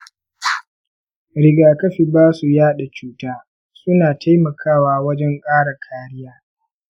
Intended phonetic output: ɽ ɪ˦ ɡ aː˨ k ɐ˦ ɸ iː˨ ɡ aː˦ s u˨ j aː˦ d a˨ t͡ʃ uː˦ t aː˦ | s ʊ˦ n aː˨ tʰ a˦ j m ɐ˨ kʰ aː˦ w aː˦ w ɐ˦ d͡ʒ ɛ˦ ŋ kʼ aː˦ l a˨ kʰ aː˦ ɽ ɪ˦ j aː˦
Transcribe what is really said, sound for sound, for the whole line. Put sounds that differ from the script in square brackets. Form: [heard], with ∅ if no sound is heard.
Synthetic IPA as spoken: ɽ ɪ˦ ɡ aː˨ k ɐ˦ ɸ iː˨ [b] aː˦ s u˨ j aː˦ [ɗ] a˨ t͡ʃ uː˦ t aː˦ | s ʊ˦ n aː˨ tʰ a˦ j m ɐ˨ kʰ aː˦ w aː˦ w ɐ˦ d͡ʒ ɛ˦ ŋ kʼ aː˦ [ɽ] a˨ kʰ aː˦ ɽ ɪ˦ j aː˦